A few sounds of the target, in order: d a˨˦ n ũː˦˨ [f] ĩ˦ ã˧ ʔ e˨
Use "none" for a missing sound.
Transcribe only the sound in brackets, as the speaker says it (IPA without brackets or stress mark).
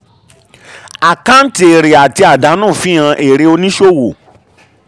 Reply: f